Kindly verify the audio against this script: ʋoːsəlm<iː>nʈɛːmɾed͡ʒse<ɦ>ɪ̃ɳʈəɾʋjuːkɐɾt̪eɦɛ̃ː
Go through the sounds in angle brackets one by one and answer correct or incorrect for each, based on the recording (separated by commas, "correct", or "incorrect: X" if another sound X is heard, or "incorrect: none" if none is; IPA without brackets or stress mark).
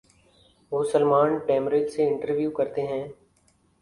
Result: incorrect: aː, incorrect: none